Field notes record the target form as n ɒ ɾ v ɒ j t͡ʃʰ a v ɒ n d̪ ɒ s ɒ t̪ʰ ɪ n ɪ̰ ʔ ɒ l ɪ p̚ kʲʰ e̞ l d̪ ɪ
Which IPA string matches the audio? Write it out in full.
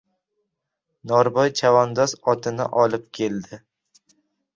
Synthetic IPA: n ɒ ɾ b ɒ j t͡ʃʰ a v ɒ n d̪ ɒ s ɒ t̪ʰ ɪ n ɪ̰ ʔ ɒ l ɪ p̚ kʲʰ e̞ l d̪ ɪ

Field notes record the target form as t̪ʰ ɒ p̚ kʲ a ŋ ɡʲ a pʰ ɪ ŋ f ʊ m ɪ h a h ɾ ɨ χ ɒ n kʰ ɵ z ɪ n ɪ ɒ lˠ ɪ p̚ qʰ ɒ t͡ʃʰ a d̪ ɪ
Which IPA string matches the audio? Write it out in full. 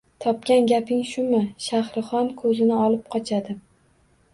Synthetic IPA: t̪ʰ ɒ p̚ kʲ a n ɡʲ a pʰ ɪ ŋ ʃ ʊ m ɪ ʃ a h ɾ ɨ χ ɒ n kʰ ɵ z ɪ n ɪ ɒ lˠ ɪ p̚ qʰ ɒ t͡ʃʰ a d̪ ɪ

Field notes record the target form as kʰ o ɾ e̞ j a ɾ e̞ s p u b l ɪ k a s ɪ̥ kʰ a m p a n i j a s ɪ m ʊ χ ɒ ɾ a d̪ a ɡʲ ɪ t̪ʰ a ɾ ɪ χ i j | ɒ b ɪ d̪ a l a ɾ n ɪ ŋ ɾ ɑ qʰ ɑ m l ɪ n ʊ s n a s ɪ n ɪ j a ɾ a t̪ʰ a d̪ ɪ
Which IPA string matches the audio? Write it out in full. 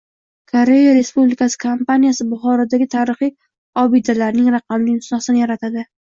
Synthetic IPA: kʰ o ɾ e̞ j a ɾ e̞ s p u b l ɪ k a s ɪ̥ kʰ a m p a n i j a s ɪ b ʊ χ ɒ ɾ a d̪ a ɡʲ ɪ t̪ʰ a ɾ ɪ χ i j | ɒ b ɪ d̪ a l a ɾ n ɪ ŋ ɾ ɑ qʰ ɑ m l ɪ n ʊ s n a s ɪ n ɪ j a ɾ a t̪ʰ a d̪ ɪ

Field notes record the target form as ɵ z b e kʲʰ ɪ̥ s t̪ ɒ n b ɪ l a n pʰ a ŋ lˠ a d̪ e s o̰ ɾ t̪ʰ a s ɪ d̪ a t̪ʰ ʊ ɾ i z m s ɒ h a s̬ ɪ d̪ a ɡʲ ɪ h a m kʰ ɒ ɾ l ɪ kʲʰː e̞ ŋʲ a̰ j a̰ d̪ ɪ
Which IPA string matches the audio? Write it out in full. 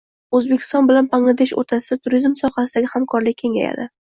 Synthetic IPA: ɵ z b e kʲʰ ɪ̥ s t̪ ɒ n b ɪ l a n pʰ a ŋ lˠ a d̪ e ʃ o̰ ɾ t̪ʰ a s ɪ d̪ a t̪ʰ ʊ ɾ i z m s ɒ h a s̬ ɪ d̪ a ɡʲ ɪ h a m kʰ ɒ ɾ l ɪ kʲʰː e̞ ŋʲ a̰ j a̰ d̪ ɪ

